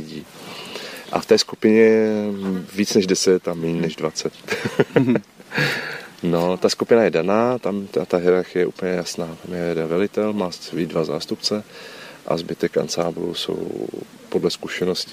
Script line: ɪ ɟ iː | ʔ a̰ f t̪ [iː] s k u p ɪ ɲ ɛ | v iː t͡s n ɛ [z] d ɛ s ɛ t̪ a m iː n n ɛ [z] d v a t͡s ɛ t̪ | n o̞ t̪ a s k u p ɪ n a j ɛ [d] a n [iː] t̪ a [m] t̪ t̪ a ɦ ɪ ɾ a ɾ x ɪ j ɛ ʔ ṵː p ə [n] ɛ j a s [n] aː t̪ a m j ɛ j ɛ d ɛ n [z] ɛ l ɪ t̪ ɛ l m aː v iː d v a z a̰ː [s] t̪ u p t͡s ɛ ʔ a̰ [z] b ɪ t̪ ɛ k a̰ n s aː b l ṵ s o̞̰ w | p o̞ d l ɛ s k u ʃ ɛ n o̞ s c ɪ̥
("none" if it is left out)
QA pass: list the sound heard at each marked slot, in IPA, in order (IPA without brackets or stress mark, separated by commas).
ɛː, ʒ, ʒ, d, aː, m, ɲ, n, v, s, z